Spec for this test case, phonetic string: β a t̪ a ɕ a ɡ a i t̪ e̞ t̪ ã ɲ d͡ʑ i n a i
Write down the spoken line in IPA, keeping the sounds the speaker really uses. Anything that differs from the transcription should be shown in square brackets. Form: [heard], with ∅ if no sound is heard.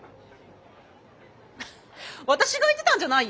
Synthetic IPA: β a t̪ a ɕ [i] ɡ a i t̪ e̞ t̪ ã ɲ d͡ʑ [a] n a i